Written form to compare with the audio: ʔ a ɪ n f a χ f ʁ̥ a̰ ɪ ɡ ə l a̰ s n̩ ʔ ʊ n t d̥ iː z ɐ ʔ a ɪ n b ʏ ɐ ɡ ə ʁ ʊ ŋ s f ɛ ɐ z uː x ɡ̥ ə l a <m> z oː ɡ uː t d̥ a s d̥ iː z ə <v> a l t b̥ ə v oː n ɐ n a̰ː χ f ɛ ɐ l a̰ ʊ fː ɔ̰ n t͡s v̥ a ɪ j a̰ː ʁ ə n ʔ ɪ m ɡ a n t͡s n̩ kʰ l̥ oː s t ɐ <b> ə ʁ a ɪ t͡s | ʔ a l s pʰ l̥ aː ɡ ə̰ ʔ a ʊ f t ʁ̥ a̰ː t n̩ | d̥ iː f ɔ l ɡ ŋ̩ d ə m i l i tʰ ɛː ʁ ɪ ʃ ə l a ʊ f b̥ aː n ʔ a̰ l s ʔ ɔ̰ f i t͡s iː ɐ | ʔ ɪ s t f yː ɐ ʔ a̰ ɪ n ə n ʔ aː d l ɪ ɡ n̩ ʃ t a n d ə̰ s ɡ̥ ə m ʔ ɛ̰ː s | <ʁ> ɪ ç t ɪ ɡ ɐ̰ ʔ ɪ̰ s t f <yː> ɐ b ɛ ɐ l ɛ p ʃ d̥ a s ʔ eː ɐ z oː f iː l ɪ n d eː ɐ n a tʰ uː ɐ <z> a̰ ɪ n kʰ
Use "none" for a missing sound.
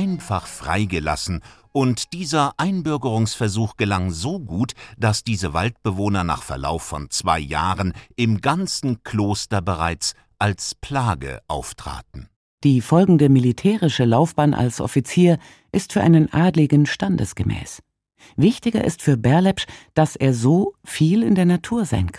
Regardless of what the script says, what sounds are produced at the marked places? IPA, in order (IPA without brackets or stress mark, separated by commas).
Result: ŋ, v, b, v, yː, z